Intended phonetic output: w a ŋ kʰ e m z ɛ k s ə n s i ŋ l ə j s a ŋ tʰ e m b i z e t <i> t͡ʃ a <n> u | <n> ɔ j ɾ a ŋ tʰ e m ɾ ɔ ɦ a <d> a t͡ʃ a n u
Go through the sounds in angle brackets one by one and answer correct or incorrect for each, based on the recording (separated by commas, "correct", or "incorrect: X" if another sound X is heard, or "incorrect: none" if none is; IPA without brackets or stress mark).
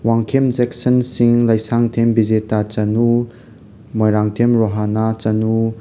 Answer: incorrect: a, correct, incorrect: m, incorrect: n